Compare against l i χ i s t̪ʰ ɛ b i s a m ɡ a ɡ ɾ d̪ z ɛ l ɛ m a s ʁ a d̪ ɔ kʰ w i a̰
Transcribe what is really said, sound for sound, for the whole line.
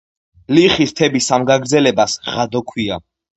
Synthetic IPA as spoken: l i χ i s t̪ʰ ɛ b i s a m ɡ a ɡ ɾ d̪ z ɛ l ɛ b a s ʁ a d̪ ɔ kʰ w i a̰